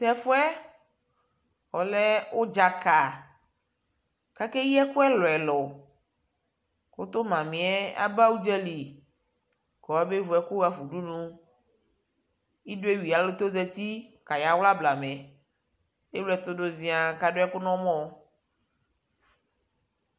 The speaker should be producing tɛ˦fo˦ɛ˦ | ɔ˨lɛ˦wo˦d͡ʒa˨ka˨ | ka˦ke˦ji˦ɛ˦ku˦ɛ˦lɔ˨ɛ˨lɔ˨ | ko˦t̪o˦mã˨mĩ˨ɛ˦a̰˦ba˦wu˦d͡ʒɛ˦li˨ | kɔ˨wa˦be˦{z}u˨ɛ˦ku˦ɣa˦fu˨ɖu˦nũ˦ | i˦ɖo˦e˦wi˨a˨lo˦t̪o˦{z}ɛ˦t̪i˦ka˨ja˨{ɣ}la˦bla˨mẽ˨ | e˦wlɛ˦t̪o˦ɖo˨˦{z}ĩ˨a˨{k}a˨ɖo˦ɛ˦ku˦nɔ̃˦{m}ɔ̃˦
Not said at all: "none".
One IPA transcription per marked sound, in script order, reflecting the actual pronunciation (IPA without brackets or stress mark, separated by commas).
v, z, w, z, k, m